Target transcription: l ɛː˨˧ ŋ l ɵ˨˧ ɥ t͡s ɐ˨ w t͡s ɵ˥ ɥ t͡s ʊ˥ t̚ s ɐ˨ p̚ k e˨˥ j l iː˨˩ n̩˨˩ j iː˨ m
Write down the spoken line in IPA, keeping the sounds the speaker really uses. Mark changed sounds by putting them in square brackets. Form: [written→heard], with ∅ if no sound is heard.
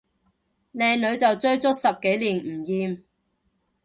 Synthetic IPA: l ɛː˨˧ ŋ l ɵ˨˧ ɥ t͡s ɐ˨ w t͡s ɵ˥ ɥ t͡s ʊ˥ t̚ s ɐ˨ p̚ k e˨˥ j l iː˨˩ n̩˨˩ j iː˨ m